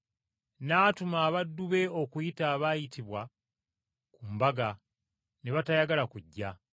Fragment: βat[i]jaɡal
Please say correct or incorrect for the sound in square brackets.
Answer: incorrect: a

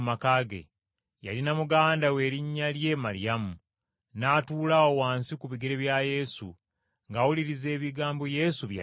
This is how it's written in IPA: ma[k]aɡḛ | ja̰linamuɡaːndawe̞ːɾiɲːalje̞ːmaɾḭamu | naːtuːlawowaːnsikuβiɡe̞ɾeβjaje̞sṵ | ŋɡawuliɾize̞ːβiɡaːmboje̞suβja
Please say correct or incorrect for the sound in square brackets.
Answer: correct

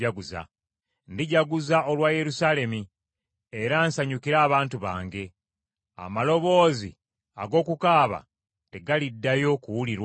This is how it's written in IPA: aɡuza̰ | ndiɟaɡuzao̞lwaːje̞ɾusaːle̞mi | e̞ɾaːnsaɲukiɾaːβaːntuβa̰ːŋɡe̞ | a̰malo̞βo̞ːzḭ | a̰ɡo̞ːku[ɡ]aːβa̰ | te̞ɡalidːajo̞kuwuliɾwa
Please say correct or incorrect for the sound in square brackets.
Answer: incorrect: k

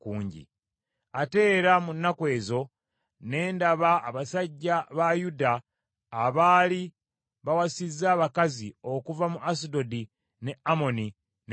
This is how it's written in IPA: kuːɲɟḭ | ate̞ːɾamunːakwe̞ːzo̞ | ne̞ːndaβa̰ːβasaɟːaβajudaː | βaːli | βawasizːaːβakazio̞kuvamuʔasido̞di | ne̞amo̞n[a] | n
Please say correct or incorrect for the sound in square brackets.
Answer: incorrect: i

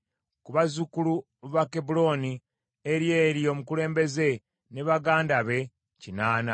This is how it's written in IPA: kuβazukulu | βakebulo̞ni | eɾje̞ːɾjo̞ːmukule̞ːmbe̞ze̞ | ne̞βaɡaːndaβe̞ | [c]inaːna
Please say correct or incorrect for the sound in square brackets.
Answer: correct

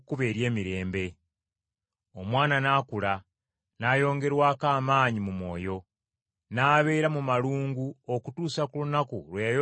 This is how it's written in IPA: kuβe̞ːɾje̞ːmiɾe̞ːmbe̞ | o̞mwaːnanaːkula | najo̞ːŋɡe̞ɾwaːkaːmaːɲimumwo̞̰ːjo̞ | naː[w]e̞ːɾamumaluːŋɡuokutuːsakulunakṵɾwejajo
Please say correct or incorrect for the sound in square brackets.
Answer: incorrect: β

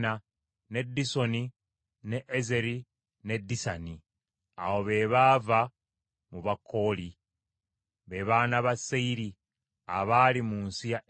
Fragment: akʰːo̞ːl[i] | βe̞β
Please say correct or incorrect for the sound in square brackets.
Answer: correct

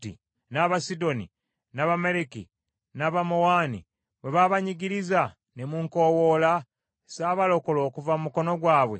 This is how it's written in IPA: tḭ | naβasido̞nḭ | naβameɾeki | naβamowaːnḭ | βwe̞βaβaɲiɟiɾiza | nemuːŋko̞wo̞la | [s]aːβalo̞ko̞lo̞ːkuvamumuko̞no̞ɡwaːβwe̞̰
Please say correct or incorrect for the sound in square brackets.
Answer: correct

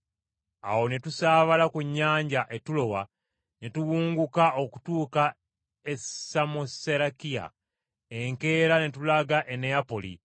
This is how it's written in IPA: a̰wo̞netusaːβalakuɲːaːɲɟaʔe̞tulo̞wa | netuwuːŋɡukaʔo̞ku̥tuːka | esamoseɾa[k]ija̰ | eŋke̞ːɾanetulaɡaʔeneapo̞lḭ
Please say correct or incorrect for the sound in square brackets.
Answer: correct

